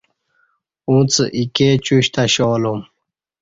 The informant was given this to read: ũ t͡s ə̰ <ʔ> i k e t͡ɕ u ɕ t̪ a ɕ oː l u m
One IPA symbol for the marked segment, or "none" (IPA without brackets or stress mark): ʔ